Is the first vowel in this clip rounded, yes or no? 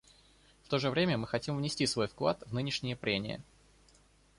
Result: yes